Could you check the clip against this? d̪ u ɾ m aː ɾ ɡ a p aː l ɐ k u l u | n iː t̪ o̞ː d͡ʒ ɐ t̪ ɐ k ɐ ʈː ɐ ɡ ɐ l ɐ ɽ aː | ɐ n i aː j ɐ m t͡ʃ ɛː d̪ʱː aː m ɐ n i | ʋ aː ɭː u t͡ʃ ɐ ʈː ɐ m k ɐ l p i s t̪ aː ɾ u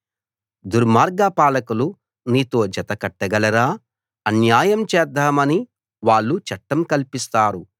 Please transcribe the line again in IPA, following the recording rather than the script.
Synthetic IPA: d̪ u ɾ m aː ɾ ɡ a p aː l ɐ k u l u | n iː t̪ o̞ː d͡ʒ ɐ t̪ ɐ k ɐ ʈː ɐ ɡ ɐ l ɐ ɾ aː | ɐ n j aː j ɐ m t͡ʃ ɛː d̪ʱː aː m ɐ n i | ʋ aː ɭː u t͡ʃ ɐ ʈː ɐ m k ɐ l p i s t̪ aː ɾ u